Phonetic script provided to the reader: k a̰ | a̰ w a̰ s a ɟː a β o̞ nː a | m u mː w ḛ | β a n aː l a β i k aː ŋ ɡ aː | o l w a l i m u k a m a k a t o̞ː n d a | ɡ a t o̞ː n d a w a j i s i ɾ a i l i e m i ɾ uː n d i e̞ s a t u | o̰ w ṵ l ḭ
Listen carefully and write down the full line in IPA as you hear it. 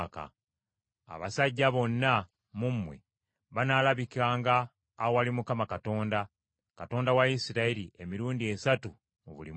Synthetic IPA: k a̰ | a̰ β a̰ s a ɟː a β o̞ nː a | m u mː w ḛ | β a n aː l a β i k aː ŋ ɡ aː | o w a l i m u k a m a k a t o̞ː n d a | k a t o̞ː n d a w a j i s i ɾ a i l i e m i ɾ uː n d i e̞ s a t u | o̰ β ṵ l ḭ